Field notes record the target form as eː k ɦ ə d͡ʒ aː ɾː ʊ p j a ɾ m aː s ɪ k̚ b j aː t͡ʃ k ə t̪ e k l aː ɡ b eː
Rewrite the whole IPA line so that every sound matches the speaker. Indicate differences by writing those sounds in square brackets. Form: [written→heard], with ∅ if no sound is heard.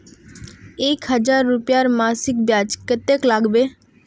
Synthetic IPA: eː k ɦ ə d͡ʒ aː ɾː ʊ p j a ɾ m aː s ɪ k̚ b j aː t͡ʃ k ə t̪ e k l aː ɡ b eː